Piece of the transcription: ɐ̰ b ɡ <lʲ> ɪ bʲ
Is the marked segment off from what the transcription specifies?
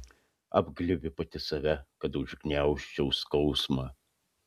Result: no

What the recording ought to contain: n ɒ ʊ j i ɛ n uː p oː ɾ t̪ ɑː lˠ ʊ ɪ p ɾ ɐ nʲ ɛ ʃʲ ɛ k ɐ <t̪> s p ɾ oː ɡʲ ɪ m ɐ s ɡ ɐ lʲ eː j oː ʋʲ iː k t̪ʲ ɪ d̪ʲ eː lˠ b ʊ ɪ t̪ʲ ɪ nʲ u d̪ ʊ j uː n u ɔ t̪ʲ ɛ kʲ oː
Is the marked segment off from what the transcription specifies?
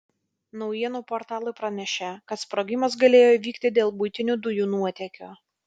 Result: no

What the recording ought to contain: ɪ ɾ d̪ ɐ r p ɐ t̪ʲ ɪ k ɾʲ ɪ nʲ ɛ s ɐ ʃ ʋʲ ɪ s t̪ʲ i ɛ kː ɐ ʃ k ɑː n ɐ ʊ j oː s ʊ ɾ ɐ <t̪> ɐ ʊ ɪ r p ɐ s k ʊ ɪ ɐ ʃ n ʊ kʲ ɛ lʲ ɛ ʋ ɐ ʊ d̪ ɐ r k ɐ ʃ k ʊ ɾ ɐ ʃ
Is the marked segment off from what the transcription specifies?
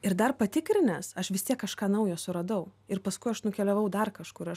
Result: yes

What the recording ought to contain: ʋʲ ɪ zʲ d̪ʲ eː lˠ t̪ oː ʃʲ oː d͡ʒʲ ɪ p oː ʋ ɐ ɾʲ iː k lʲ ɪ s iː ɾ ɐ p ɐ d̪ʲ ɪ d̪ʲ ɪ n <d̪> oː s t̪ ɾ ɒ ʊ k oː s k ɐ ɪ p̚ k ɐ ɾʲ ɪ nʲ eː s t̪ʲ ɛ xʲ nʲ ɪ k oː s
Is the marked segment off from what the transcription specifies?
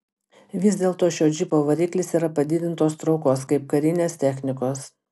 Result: yes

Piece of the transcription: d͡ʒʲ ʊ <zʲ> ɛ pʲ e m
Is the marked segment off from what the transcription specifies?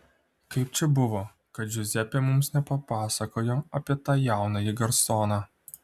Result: no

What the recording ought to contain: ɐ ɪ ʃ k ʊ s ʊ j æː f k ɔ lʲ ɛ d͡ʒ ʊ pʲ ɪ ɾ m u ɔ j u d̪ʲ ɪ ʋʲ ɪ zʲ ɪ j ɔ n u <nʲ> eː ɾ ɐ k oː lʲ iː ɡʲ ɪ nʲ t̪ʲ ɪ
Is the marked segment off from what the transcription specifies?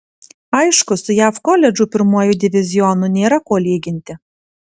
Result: no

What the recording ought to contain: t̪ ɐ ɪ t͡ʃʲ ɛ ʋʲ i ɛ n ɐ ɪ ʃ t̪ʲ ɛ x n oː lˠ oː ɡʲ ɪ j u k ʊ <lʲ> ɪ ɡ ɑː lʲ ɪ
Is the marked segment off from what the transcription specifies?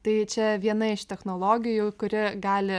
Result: yes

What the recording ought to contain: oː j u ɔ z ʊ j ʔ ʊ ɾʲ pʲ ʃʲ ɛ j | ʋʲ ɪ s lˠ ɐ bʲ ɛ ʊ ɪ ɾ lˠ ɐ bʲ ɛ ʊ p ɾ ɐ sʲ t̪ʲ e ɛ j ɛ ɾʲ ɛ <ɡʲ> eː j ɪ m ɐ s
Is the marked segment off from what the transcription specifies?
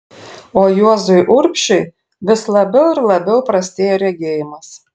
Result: no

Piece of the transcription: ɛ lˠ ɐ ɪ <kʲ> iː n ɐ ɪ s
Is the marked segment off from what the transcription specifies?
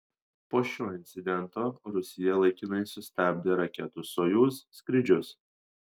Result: no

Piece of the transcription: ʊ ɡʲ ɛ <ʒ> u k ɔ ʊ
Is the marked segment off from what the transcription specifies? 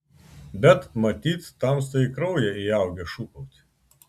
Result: yes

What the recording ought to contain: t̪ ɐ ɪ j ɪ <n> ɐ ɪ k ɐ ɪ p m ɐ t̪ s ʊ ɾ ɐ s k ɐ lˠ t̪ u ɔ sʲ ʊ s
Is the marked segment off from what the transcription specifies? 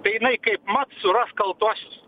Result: no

